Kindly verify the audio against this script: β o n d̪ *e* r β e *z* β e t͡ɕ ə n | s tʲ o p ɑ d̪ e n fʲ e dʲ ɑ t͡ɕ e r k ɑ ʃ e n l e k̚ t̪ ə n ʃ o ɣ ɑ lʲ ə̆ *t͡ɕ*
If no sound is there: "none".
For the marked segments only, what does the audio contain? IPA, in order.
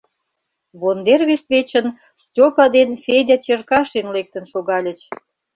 e, s, t͡ɕ

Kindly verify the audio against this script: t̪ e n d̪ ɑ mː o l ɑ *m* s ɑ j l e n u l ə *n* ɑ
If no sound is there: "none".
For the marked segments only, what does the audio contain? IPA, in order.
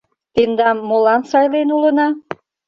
n, n

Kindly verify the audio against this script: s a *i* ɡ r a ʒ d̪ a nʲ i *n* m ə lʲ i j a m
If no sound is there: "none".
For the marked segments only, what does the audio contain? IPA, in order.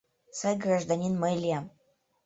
j, n

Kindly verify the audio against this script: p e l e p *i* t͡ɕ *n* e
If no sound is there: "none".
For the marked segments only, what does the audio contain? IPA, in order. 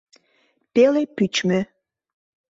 y, m

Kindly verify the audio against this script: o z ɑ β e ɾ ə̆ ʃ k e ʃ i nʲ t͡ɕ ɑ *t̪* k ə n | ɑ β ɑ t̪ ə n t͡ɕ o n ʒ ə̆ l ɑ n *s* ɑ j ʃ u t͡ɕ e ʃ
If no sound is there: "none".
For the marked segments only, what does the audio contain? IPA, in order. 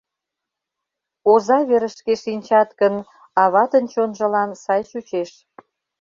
t̪, s

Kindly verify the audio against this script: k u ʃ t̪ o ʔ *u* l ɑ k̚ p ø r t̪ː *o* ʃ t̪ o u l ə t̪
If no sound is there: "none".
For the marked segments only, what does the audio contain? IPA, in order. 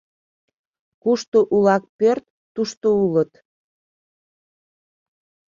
u, u

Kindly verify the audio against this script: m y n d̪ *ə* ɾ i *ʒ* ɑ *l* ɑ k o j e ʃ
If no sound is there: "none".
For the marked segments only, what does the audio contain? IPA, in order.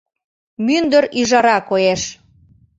ə, ʒ, ɾ

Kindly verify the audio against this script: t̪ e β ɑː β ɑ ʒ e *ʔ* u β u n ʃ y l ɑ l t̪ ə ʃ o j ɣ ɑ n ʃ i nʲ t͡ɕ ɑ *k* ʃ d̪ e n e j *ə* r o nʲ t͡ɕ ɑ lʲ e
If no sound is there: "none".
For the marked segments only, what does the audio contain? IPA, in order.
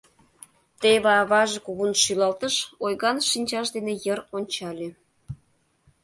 k, none, ə

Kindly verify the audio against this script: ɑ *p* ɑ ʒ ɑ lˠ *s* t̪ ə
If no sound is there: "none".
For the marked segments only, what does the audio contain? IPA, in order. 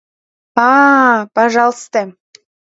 p, s

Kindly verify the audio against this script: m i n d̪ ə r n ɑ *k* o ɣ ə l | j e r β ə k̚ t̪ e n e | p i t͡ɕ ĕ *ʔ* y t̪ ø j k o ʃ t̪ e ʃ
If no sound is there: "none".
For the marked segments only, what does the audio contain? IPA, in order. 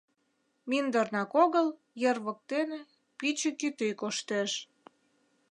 k, k

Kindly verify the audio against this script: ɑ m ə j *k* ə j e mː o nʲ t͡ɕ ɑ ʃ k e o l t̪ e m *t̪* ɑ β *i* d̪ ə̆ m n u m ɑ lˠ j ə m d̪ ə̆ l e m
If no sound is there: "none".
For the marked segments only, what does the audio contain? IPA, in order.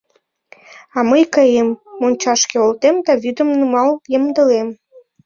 k, d̪, y

